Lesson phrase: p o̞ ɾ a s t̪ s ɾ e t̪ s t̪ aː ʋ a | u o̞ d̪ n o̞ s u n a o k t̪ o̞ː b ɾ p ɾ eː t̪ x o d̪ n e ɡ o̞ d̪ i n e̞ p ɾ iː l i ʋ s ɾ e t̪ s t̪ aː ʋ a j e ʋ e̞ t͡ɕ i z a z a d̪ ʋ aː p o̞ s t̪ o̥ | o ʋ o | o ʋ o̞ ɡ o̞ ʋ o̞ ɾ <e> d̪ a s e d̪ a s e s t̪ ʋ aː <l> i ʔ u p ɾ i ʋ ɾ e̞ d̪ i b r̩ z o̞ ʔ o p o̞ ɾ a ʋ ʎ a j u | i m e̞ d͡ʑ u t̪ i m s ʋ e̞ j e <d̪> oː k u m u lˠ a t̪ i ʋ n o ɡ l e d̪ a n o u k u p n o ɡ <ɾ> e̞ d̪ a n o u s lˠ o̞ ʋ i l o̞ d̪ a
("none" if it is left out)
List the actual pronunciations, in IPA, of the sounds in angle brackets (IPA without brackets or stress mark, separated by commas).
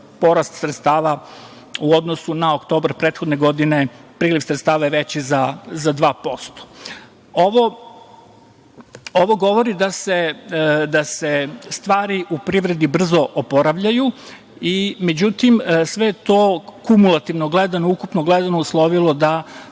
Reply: i, ɾ, t̪, l